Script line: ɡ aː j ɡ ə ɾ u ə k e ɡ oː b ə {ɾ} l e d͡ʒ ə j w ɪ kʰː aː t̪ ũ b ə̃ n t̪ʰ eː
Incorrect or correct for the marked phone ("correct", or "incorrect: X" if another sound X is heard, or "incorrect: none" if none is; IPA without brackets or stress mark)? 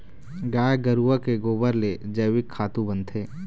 correct